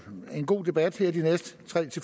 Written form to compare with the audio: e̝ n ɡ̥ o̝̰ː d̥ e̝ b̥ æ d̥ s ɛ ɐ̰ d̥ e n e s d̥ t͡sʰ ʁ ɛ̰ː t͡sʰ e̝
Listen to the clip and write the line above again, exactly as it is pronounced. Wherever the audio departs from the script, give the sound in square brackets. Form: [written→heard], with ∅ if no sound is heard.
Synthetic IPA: e̝ n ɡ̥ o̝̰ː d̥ e̝ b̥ æ d̥ [s→h] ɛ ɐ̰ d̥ [e→i] n e s d̥ t͡sʰ ʁ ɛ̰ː t͡sʰ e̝